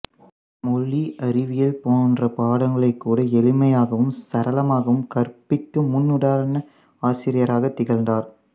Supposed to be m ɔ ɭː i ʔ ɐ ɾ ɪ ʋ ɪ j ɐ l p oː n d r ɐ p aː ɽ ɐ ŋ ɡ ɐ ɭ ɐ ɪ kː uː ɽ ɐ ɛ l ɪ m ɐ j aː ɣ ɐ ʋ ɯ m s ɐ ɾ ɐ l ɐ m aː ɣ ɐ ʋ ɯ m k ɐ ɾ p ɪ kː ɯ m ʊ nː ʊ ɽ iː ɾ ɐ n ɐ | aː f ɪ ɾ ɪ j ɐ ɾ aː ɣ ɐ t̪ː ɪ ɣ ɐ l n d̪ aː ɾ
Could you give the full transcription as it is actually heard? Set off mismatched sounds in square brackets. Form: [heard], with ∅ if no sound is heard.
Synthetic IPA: m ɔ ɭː i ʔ ɐ ɾ ɪ ʋ ɪ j ɐ l p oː n d r ɐ p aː ɽ ɐ ŋ ɡ ɐ ɭ ɐ ɪ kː uː ɽ ɐ ɛ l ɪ m ɐ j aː ɣ ɐ ʋ ɯ m s ɐ ɾ ɐ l ɐ m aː ɣ ɐ ʋ ɯ m k ɐ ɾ p ɪ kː ɯ m ʊ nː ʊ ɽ [aː] ɾ ɐ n ɐ | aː [s] ɪ ɾ ɪ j ɐ ɾ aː ɣ ɐ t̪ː ɪ ɣ ɐ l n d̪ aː ɾ

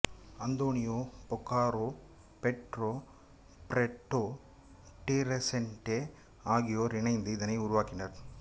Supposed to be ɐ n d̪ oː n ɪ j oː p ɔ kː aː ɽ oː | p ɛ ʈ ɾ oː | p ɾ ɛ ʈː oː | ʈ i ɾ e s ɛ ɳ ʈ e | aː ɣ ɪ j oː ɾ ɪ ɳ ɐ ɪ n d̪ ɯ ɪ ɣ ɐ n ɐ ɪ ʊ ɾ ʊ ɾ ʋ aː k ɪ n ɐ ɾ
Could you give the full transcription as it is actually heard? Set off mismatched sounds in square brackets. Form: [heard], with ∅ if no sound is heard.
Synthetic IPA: ɐ n d̪ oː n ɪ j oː p ɔ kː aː [ɾ] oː | p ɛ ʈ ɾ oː | p ɾ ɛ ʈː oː | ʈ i ɾ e s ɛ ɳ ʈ e | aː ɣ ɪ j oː ɾ ɪ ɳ ɐ ɪ n d̪ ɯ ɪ [ð] ɐ n ɐ ɪ ʊ ɾ ʊ [∅] ʋ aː k ɪ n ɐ ɾ

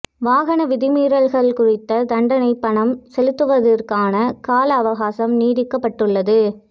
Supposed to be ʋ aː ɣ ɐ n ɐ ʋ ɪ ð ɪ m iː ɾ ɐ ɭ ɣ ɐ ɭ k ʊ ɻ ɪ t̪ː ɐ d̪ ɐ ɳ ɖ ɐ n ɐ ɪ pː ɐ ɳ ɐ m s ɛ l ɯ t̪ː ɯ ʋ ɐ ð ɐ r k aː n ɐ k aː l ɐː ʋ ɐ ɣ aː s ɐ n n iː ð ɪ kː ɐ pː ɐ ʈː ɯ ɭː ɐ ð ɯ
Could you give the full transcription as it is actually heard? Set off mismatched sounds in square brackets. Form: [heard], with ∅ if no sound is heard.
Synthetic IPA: ʋ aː ɣ ɐ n ɐ ʋ ɪ ð ɪ m iː ɾ ɐ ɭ ɣ ɐ ɭ k ʊ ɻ ɪ t̪ː ɐ d̪ ɐ ɳ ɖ ɐ n ɐ ɪ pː ɐ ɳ ɐ m s ɛ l ɯ t̪ː ɯ ʋ ɐ ð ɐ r k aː n ɐ k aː l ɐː ʋ ɐ ɣ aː s ɐ [m] n iː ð ɪ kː ɐ pː ɐ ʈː ɯ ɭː ɐ ð ɯ

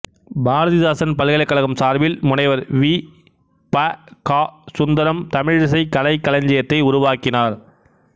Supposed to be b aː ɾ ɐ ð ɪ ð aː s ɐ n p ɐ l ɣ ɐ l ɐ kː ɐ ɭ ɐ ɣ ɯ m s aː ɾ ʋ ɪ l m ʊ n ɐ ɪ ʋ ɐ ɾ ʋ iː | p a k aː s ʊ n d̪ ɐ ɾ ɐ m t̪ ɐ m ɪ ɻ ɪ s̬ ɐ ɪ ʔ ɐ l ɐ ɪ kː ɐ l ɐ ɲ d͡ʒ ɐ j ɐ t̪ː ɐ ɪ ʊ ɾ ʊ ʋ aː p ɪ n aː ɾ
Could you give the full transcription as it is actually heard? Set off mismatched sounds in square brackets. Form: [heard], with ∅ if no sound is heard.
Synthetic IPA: b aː ɾ ɐ ð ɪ ð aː s ɐ n p ɐ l ɣ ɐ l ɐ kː ɐ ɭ ɐ ɣ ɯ m s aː ɾ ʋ ɪ l m ʊ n ɐ ɪ ʋ ɐ ɾ ʋ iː | p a k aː s ʊ n d̪ ɐ ɾ ɐ m t̪ ɐ m ɪ ɻ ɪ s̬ ɐ ɪ [k] ɐ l ɐ ɪ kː ɐ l ɐ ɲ d͡ʒ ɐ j ɐ t̪ː ɐ ɪ ʊ ɾ ʊ ʋ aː [k] ɪ n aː ɾ

